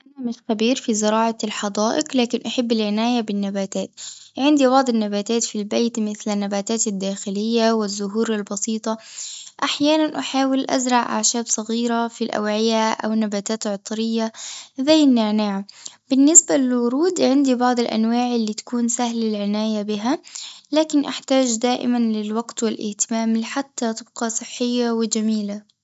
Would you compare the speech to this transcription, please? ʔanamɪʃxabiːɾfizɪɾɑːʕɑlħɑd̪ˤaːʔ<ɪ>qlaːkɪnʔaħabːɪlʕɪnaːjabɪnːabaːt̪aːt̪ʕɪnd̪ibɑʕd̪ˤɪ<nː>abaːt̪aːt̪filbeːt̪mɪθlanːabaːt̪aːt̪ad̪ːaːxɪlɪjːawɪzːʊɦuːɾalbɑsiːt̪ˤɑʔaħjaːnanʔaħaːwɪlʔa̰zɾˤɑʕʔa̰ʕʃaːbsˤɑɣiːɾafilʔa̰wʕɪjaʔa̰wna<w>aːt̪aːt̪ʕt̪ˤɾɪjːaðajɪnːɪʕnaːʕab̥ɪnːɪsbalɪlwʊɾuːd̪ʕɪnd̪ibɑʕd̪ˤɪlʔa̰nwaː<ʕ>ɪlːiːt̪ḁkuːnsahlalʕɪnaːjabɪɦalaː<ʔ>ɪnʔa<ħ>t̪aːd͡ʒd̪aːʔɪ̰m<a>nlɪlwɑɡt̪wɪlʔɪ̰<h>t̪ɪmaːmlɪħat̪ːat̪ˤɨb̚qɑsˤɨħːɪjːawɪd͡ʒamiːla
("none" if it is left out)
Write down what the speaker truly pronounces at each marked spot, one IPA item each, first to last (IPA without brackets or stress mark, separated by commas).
ɪ, nː, b, ʕ, k, ħ, a, h